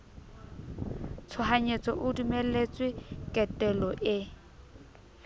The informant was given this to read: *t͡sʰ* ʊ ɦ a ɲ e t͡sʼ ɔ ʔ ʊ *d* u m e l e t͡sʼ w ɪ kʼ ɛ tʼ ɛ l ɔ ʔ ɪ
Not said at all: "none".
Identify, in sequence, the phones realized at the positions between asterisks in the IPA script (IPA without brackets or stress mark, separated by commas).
t͡sʰ, d